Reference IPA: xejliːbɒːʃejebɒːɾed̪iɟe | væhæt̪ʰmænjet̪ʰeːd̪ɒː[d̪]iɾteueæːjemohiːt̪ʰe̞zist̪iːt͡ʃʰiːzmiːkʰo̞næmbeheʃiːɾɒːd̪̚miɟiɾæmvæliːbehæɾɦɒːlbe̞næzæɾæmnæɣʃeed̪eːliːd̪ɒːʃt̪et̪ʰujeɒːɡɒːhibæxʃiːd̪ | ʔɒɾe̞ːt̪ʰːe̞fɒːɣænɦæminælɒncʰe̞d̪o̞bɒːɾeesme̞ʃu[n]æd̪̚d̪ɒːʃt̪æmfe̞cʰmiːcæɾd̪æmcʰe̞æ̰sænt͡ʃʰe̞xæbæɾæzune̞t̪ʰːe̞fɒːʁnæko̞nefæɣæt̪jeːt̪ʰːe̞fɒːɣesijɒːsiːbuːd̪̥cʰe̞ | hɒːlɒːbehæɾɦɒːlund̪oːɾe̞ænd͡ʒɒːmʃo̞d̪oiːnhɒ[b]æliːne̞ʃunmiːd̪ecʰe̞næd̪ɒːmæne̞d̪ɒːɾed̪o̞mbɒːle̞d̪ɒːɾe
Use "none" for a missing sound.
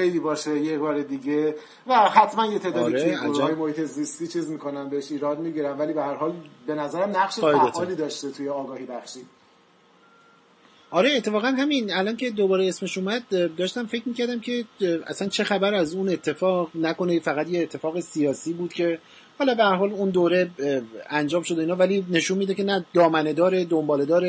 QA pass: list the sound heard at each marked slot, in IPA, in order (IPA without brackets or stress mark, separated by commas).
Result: d̪, m, v